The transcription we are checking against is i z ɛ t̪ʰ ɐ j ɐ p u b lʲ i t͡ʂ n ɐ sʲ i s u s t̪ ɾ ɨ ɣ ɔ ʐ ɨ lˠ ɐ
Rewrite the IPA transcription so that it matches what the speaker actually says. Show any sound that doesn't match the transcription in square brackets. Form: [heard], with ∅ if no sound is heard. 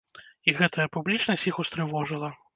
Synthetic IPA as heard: i [ɣ] ɛ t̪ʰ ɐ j ɐ p u b lʲ i t͡ʂ n ɐ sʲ i [x] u s t̪ ɾ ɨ [v] ɔ ʐ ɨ lˠ ɐ